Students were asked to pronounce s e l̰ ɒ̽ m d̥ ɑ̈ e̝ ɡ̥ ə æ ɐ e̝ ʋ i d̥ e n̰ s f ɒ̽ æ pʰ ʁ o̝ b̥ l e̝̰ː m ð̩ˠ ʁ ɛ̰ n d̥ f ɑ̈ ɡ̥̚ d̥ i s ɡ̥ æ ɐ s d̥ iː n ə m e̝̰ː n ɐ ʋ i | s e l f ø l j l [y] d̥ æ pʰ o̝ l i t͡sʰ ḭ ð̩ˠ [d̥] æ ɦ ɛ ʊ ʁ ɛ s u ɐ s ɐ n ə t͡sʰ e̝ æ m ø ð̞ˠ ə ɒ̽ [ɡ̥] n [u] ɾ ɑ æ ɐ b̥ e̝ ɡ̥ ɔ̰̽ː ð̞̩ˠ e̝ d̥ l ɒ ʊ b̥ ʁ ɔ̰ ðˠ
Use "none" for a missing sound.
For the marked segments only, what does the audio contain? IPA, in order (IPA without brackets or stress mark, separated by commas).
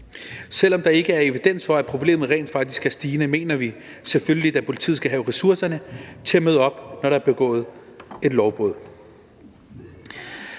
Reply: i, ɡ̥, b̥, ɒ